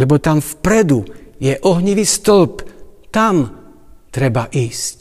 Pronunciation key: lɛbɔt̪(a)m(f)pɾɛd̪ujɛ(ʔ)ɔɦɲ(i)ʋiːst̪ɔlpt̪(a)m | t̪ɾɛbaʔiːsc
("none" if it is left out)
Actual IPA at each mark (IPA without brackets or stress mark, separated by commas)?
a, f, ʔ, i, a